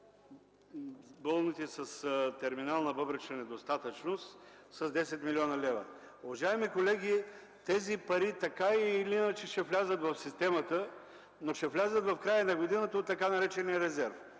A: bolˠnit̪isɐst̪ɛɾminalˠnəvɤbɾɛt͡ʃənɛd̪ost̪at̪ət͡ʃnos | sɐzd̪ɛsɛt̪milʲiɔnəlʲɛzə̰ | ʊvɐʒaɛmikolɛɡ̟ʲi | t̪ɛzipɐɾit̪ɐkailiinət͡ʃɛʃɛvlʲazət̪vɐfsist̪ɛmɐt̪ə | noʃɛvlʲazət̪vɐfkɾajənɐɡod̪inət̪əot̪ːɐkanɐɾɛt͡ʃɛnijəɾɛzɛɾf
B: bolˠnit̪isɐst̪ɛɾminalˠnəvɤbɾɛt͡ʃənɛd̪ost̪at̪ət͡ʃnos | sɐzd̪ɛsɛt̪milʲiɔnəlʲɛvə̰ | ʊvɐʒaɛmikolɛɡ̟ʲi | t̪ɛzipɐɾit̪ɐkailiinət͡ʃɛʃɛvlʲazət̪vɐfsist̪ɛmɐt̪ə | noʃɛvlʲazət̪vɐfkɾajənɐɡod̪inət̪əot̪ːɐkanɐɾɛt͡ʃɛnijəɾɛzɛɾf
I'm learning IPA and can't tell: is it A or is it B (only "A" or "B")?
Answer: B